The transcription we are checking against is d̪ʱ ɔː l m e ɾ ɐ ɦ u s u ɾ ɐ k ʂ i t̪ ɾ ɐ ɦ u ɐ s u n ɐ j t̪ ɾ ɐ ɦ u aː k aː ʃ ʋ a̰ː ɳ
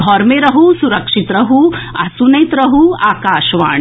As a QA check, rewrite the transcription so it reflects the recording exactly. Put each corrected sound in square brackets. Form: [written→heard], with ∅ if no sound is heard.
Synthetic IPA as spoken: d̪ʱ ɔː [l→ɾ] m e ɾ ɐ ɦ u s u ɾ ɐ k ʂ i t̪ ɾ ɐ ɦ u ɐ s u n ɐ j t̪ ɾ ɐ ɦ u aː k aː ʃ ʋ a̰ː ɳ